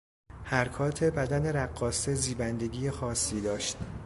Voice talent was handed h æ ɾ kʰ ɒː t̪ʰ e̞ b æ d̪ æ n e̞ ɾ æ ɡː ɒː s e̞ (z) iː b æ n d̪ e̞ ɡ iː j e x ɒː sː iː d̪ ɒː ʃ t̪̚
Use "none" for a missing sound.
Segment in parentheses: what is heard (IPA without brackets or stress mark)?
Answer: z